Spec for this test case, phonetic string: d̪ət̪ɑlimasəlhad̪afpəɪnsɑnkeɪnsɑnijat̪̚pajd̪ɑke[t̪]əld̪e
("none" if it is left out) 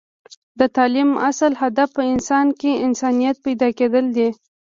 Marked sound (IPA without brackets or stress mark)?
d̪